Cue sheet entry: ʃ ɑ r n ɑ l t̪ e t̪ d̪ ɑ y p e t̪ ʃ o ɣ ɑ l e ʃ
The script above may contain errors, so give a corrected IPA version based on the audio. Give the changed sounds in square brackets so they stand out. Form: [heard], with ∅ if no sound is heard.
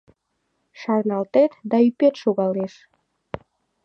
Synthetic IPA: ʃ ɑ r n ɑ l t̪ e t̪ d̪ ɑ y p e t̪ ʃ o ɣ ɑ l e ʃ